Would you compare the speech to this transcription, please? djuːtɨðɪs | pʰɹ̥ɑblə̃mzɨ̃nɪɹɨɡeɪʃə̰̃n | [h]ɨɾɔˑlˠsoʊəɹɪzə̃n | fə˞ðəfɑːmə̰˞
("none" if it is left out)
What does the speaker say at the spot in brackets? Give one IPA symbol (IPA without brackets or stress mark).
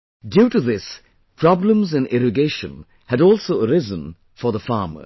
h